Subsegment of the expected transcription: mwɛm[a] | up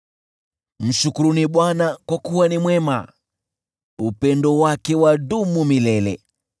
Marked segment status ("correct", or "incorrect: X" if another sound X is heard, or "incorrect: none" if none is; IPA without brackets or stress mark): correct